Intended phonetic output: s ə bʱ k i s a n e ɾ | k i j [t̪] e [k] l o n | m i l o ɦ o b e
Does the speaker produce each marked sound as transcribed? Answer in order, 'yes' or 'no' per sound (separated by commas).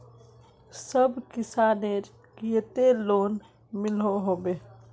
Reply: yes, no